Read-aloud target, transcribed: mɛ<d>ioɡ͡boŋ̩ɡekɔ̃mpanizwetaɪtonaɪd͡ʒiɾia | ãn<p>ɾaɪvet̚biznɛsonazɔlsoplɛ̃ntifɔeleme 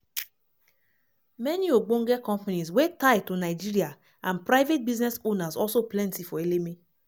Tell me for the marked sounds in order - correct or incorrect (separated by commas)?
incorrect, correct